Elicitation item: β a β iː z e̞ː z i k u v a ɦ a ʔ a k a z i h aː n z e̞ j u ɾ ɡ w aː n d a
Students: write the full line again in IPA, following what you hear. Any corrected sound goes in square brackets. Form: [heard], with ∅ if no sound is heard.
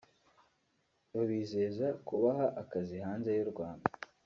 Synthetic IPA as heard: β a β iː z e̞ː z [a] k u [β] a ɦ a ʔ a k a z i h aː n z e̞ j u ɾ ɡ w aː n d a